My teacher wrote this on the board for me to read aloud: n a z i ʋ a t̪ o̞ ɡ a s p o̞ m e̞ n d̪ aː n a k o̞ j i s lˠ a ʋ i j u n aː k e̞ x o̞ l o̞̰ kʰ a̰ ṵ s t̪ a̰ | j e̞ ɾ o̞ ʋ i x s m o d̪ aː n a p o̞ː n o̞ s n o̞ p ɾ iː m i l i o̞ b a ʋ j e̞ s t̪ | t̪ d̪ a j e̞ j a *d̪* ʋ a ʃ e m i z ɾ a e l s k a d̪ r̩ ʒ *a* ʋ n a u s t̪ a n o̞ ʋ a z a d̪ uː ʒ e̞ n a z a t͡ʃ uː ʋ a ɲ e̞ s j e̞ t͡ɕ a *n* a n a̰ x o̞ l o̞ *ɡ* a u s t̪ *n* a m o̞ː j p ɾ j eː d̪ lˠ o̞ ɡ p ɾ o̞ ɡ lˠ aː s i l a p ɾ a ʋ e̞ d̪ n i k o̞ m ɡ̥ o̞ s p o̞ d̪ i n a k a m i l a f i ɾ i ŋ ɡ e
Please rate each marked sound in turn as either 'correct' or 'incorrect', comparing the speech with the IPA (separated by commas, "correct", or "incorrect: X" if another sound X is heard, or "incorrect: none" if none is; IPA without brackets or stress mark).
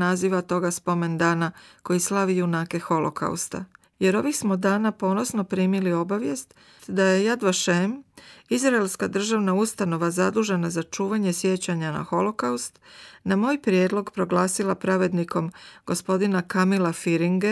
correct, correct, incorrect: ɲ, incorrect: k, correct